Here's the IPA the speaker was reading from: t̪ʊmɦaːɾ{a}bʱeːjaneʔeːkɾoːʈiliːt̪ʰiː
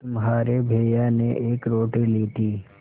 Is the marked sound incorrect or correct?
incorrect